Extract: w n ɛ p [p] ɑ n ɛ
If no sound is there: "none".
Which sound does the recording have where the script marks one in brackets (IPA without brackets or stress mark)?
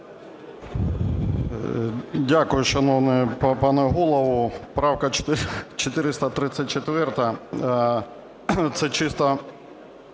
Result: p